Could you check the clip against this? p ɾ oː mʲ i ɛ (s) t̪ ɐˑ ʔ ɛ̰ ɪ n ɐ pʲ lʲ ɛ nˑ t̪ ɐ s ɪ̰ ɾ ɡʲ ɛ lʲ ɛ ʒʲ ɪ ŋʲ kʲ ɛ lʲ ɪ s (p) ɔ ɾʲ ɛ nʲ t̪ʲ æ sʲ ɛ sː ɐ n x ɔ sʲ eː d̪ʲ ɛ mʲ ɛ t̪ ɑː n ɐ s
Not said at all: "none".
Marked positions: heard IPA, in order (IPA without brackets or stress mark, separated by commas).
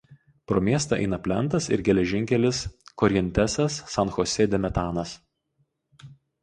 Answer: s, k